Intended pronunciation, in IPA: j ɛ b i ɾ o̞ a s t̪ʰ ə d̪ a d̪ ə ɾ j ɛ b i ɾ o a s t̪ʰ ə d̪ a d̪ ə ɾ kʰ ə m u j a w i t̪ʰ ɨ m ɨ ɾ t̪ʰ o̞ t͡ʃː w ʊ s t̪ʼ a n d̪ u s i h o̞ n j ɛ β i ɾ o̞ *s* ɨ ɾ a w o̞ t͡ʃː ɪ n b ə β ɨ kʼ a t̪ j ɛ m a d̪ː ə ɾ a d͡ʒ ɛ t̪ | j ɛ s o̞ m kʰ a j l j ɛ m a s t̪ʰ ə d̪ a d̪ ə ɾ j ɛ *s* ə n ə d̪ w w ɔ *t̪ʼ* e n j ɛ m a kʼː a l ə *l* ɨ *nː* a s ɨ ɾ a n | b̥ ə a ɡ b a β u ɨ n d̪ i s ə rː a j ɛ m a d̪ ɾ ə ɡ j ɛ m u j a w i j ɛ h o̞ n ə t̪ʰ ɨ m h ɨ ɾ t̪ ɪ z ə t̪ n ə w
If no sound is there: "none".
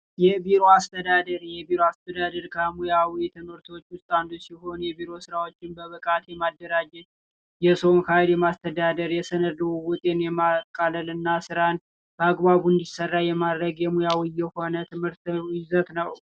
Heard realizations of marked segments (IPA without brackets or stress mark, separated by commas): s, s, t̪ʼ, l, nː